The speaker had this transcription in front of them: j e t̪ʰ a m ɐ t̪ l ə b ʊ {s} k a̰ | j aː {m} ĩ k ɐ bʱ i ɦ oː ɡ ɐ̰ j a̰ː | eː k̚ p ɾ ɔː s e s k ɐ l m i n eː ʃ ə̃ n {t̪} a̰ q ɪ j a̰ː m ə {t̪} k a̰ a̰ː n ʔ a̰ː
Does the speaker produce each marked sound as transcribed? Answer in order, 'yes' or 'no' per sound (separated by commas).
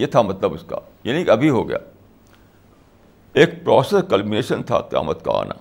yes, no, no, yes